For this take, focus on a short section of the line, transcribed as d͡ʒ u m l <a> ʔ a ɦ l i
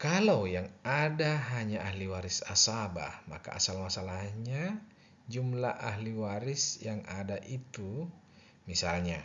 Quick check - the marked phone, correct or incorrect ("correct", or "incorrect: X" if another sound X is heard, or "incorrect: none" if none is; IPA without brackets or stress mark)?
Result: correct